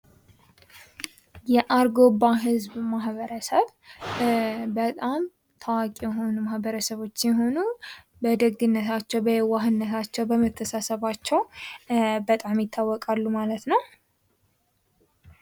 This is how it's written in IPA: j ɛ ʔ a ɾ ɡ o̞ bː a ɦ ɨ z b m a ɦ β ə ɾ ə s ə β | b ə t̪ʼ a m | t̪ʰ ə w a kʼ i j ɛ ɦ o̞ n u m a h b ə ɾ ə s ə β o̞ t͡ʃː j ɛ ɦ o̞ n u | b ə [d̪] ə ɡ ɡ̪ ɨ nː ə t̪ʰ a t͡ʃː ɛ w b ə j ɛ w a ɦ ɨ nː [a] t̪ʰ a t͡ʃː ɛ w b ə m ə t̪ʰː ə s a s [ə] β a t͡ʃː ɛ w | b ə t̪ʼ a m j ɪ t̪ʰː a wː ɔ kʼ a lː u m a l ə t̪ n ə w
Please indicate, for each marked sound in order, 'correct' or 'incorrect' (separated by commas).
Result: correct, incorrect, correct